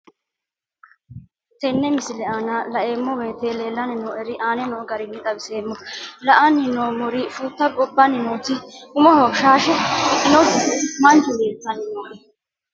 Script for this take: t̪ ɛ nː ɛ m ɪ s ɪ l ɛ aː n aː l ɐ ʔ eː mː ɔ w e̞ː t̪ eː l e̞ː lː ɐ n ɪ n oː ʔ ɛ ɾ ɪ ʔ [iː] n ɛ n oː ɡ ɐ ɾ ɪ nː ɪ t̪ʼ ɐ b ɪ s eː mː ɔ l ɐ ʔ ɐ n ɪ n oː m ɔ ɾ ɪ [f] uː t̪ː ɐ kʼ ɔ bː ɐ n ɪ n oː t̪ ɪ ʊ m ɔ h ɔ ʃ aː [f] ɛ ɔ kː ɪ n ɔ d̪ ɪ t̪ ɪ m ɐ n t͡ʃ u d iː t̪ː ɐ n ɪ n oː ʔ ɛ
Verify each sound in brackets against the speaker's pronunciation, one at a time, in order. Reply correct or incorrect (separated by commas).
incorrect, correct, incorrect